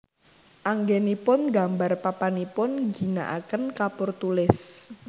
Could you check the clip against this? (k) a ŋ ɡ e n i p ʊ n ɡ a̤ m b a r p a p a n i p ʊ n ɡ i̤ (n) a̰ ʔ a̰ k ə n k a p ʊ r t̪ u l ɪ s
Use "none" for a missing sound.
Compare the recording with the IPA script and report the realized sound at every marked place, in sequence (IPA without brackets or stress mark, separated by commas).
ʔ, n